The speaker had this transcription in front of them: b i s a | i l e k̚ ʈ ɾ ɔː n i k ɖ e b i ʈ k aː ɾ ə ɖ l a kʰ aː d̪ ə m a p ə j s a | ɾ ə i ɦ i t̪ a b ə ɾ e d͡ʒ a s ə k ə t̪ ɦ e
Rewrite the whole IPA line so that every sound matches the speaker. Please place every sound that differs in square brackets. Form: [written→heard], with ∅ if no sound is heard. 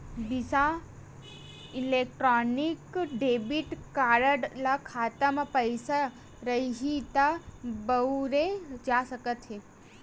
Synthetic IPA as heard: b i s a | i l e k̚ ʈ ɾ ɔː n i k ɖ e b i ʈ k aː ɾ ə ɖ l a kʰ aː [d̪→t̪] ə m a p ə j s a | ɾ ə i ɦ i t̪ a b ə ɾ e d͡ʒ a s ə k ə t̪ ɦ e

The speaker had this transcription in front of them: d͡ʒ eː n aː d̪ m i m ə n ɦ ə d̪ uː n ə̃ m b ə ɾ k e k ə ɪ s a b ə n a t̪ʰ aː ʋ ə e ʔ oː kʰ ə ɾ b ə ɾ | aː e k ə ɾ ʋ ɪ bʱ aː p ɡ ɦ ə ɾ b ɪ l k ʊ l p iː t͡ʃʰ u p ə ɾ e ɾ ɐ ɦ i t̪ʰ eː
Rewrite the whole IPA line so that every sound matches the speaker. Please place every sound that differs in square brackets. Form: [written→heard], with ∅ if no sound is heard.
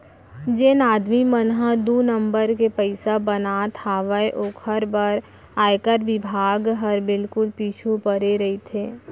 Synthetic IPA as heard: d͡ʒ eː n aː d̪ m i m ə n ɦ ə d̪ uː n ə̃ m b ə ɾ k e [k→p] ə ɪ s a b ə n a t̪ʰ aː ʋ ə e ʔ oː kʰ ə ɾ b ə ɾ | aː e k ə ɾ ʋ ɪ bʱ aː [p→∅] ɡ ɦ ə ɾ b ɪ l k ʊ l p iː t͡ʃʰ u p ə ɾ e ɾ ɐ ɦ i t̪ʰ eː

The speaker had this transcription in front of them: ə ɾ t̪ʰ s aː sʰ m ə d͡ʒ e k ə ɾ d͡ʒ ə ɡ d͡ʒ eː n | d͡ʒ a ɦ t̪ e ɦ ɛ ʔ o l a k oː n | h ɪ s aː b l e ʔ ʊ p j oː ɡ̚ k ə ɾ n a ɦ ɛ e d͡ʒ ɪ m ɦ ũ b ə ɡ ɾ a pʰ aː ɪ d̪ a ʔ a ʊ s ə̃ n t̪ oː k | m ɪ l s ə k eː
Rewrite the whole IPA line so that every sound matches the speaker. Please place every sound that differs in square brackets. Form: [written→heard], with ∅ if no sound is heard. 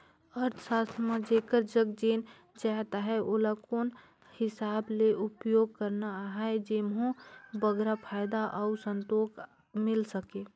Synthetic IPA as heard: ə ɾ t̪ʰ s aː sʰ m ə d͡ʒ e k ə ɾ d͡ʒ ə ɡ d͡ʒ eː n | d͡ʒ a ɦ t̪ [e→a] ɦ ɛ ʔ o l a k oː n | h ɪ s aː b l e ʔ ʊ p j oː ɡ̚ k ə ɾ n a ɦ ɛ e d͡ʒ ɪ m ɦ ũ b ə ɡ ɾ a pʰ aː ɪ d̪ a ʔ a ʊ s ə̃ n t̪ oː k | m ɪ l s ə k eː

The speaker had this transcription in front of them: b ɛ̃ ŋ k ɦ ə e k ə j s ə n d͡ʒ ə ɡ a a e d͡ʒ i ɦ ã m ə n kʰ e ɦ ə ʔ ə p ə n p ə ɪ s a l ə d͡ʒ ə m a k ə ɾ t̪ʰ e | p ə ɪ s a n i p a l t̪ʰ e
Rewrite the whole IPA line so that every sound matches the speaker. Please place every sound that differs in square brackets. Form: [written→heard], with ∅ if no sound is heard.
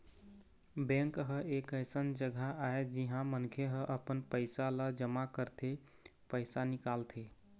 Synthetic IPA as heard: b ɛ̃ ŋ k ɦ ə e k ə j s ə n d͡ʒ ə ɡ a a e d͡ʒ i ɦ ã m ə n kʰ e ɦ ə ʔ ə p ə n p ə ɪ s a l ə d͡ʒ ə m a k ə ɾ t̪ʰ e | p ə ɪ s a n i [p→k] a l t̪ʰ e

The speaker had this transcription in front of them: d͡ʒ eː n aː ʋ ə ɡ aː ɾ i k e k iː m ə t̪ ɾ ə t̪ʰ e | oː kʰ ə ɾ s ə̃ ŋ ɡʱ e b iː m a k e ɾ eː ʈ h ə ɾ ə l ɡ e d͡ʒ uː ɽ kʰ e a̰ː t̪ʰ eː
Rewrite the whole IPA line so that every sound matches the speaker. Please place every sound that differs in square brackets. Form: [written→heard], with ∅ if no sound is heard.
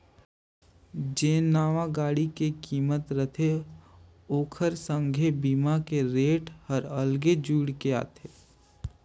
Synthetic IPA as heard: d͡ʒ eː n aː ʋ [ə→a] ɡ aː [ɾ→ɽ] i k e k iː m ə t̪ ɾ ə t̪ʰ e | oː kʰ ə ɾ s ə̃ ŋ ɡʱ e b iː m a k e ɾ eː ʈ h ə ɾ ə l ɡ e d͡ʒ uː ɽ [kʰ→k] e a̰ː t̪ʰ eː

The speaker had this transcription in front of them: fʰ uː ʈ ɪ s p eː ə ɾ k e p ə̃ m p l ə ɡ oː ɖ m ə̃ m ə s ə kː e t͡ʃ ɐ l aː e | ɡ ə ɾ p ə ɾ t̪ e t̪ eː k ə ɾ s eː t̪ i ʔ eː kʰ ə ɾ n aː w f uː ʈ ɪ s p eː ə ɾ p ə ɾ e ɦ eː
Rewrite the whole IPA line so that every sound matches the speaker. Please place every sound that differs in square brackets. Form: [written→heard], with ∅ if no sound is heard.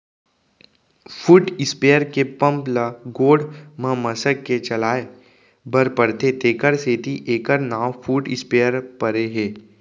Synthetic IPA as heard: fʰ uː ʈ ɪ s p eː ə ɾ k e p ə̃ m p l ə ɡ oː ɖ m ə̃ m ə s ə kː e t͡ʃ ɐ l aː e | [ɡ→b] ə ɾ p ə ɾ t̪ e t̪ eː k ə ɾ s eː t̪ i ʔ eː [kʰ→k] ə ɾ n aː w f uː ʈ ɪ s p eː ə ɾ p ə ɾ e ɦ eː

